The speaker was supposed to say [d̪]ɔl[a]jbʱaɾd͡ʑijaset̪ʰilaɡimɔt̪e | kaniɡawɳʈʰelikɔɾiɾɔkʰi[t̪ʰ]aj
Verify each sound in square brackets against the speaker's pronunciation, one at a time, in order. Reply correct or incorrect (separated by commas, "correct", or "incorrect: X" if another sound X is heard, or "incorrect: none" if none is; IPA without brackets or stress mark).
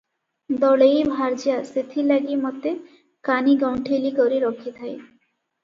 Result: correct, incorrect: e, correct